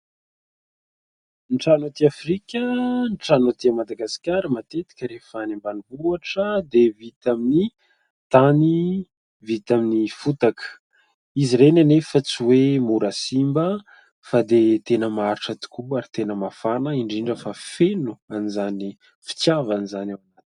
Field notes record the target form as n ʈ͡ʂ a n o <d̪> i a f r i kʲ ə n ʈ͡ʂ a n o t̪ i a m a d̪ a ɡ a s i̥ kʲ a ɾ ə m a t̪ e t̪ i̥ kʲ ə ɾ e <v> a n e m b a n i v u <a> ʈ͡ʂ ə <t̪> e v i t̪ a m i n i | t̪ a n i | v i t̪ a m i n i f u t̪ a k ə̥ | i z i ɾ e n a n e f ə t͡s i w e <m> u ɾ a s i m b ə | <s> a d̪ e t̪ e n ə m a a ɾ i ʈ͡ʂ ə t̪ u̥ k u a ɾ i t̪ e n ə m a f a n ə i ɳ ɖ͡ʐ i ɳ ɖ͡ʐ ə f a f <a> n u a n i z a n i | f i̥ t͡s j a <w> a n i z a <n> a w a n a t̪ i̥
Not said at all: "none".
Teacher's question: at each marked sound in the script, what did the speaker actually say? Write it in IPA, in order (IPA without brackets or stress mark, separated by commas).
t̪, f, a, d̪, m, f, e, v, n